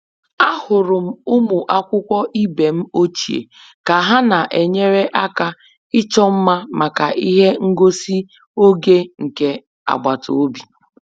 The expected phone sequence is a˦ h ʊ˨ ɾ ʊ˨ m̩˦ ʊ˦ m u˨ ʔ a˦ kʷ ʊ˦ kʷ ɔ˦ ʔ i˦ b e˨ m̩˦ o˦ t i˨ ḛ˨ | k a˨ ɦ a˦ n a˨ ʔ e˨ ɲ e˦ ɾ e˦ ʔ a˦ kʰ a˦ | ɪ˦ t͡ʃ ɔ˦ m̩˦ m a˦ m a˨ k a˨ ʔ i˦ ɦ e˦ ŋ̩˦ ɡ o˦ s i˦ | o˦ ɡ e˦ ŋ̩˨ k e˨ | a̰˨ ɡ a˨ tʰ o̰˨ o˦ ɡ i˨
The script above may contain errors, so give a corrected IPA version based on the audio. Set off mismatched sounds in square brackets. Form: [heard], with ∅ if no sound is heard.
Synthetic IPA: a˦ h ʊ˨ ɾ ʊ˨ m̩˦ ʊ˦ m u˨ ʔ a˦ kʷ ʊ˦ kʷ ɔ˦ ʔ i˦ b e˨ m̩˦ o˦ [t͡ʃ] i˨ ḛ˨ | k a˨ ɦ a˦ n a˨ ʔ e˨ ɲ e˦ ɾ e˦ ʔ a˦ [k] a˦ | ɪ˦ t͡ʃ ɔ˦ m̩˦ m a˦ m a˨ k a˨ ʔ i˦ ɦ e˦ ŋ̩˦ ɡ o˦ s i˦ | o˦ ɡ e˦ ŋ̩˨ k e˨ | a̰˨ [ɡ͡b] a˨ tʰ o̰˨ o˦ [b] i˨